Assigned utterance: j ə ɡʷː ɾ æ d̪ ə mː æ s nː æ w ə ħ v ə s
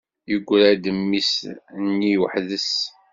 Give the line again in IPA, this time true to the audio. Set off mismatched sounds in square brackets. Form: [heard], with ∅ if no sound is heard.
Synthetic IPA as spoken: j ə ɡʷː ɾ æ d̪ ə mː [i] s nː [i] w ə ħ [ð] ə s

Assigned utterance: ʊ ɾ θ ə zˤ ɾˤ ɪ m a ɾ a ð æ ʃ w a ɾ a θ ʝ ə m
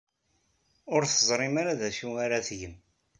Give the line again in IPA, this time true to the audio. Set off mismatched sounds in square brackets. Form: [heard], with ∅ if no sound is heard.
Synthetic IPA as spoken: ʊ ɾ θ ə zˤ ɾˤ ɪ m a ɾ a ð æ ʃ [u] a ɾ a θ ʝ ə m

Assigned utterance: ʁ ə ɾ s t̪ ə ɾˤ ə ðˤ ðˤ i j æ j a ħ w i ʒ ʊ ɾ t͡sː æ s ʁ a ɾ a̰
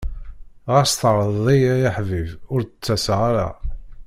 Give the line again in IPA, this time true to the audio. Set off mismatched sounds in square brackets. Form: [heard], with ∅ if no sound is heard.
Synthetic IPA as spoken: ʁ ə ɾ s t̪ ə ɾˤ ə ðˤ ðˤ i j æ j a ħ [v] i [v] ʊ ɾ t͡sː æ s ʁ a ɾ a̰

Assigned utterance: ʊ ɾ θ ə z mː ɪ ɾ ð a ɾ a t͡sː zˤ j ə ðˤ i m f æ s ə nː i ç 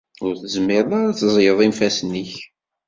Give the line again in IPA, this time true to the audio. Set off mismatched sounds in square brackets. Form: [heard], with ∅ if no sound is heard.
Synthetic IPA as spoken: ʊ ɾ θ ə z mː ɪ ɾ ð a ɾ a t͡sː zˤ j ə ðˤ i m f æ s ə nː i ç

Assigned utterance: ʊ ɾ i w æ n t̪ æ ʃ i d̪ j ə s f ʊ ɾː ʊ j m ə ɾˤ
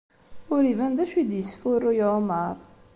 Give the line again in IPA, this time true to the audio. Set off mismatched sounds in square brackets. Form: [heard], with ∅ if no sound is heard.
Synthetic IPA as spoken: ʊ ɾ i [v] æ n [d̪] æ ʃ i d̪ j ə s f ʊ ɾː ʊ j m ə ɾˤ

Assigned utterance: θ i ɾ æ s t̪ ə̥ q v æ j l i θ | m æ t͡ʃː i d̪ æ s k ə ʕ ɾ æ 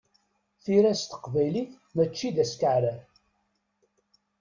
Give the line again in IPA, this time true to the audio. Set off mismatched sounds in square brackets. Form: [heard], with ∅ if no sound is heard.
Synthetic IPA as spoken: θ i ɾ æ s t̪ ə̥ q v æ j l i θ | m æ t͡ʃː i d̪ æ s k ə ʕ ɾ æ

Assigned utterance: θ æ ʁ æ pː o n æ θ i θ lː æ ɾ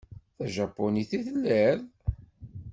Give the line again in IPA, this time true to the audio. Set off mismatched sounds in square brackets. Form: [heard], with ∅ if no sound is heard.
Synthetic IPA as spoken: θ æ [ʒ] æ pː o n [i] θ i θ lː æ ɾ

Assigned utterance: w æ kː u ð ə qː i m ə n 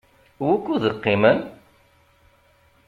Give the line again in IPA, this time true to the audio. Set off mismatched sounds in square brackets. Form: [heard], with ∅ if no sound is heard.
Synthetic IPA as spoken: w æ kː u ð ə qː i m ə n

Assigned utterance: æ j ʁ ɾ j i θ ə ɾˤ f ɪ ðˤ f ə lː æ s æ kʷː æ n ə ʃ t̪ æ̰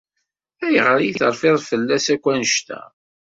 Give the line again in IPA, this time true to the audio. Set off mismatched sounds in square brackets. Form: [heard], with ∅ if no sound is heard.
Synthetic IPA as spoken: æ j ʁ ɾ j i θ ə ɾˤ f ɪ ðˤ f ə lː æ s æ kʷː æ n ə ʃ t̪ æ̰

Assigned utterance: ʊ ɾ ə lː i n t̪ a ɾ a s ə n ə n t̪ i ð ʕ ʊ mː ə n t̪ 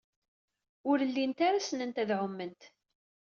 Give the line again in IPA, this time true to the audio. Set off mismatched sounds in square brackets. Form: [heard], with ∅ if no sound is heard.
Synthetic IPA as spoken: ʊ ɾ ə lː i n t̪ a ɾ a s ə n ə n t̪ [æ] ð ʕ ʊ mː ə n t̪

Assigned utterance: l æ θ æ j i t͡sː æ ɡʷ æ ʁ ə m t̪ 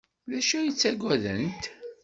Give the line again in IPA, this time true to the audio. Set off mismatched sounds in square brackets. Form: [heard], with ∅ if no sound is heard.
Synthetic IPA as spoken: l æ [ʃ] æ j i t͡sː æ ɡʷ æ [ð] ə [n] t̪

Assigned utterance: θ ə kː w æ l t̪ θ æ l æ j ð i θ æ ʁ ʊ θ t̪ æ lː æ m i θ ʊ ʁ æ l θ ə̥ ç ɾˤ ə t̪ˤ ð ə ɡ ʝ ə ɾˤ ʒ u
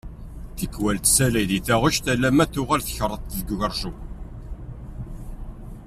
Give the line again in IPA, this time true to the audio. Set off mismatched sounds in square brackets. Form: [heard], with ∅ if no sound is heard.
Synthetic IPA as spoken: θ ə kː w æ l t̪ [s] æ l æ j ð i θ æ ʁ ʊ [ʃ] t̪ æ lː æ m [æ] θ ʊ ʁ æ l θ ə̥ ç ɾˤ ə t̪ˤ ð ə ɡ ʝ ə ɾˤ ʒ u

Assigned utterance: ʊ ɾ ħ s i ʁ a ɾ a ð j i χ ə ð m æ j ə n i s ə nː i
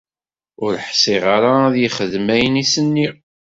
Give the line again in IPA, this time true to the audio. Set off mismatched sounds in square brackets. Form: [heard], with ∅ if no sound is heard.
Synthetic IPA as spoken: ʊ ɾ ħ s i ʁ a ɾ a ð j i χ ə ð m æ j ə n i s ə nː i

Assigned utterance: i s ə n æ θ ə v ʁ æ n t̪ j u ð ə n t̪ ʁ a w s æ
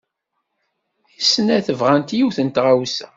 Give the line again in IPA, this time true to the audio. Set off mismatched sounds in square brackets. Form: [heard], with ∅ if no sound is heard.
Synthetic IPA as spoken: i s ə n æ θ ə v ʁ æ n t̪ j u [θ] ə n t̪ ʁ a w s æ

